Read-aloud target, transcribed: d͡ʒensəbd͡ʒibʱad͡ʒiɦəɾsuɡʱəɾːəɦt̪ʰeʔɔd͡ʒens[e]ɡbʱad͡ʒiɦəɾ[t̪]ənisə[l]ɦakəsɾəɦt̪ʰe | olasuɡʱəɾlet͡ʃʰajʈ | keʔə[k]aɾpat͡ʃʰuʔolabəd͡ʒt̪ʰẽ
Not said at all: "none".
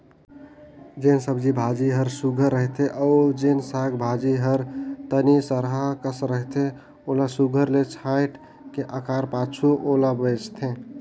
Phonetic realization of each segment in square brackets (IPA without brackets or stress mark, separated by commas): a, t̪, ɾ, k